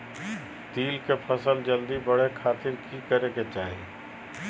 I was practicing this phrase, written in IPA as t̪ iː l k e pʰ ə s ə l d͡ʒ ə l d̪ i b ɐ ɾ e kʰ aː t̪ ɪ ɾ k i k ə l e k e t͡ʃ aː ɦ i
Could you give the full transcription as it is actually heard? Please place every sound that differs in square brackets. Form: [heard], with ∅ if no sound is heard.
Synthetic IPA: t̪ iː l k e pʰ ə s ə l d͡ʒ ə l d̪ i b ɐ [ɽ] e kʰ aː t̪ ɪ ɾ k i k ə [ɾ] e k e t͡ʃ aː ɦ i